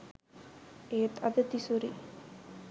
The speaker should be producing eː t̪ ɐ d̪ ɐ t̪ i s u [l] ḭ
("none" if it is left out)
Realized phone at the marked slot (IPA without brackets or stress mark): ɾ